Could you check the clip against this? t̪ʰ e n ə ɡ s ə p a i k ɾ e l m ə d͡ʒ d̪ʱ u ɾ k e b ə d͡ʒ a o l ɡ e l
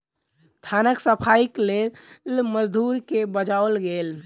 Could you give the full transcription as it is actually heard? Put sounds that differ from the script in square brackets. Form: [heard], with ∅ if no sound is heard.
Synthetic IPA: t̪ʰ [a] n ə [k] s ə [pʰ] a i k [l] e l m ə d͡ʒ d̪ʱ u ɾ k e b ə d͡ʒ a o l ɡ e l